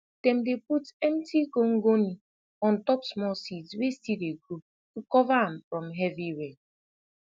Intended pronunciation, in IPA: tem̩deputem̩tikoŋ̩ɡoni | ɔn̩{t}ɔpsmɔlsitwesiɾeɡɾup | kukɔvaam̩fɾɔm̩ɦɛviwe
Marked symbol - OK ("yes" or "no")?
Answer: yes